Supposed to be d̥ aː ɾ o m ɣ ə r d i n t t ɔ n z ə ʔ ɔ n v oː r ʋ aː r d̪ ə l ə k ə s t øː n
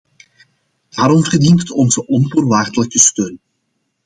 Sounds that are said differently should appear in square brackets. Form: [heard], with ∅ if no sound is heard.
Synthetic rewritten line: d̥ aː ɾ [ɔ] m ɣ ə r d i n t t ɔ n z ə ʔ ɔ n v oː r ʋ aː r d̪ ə l ə k ə s t øː n